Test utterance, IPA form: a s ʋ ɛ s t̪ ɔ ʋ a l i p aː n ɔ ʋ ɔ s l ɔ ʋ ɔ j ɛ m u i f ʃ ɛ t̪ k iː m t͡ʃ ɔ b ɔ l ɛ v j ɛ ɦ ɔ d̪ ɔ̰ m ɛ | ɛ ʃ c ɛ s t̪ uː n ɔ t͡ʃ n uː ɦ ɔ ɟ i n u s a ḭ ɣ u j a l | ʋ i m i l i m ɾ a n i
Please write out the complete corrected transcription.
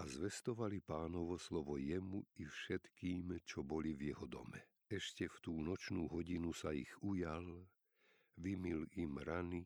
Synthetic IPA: a z ʋ ɛ s t̪ ɔ ʋ a l i p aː n ɔ ʋ ɔ s l ɔ ʋ ɔ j ɛ m u i f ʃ ɛ t̪ k iː m t͡ʃ ɔ b ɔ l i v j ɛ ɦ ɔ d̪ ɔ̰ m ɛ | ɛ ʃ c ɛ f t̪ uː n ɔ t͡ʃ n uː ɦ ɔ ɟ i n u s a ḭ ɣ u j a l | ʋ i m i l i m ɾ a n i